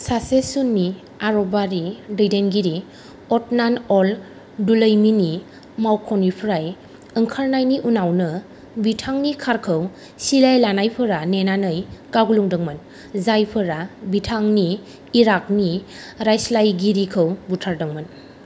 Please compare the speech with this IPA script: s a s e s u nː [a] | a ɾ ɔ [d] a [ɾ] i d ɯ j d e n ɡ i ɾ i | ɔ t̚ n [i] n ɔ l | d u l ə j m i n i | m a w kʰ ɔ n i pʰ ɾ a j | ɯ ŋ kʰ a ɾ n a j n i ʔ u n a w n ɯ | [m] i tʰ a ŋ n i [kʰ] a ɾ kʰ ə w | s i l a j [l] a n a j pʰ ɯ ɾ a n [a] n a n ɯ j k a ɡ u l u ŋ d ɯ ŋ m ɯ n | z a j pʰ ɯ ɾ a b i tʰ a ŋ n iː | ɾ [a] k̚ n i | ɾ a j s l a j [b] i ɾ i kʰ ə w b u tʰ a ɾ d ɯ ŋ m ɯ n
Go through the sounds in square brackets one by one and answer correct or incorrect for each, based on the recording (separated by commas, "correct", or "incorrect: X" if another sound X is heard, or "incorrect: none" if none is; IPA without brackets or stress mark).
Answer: incorrect: i, incorrect: b, correct, incorrect: a, incorrect: b, correct, correct, incorrect: e, correct, incorrect: ɡ